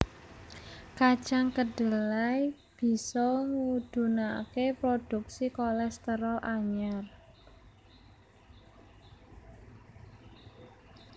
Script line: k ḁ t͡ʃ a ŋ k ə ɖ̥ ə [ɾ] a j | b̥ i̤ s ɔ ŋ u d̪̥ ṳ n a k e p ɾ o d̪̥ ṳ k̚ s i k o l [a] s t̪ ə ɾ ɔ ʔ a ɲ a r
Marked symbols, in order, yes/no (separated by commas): no, no